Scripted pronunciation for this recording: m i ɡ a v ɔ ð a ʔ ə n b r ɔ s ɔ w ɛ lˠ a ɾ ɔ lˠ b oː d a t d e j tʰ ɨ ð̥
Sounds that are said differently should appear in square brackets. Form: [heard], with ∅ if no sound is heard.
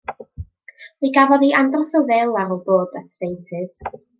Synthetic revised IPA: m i ɡ a v ɔ ð [i] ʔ [a] n [d] r ɔ s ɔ [v] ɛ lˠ a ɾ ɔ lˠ b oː d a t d e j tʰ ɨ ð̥